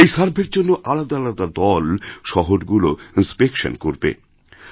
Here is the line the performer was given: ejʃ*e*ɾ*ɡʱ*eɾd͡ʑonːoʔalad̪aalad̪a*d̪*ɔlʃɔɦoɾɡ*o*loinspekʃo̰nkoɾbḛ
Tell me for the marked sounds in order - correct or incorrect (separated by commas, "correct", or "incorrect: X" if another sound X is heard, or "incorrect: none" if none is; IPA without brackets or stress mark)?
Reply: incorrect: a, incorrect: bʱ, correct, incorrect: u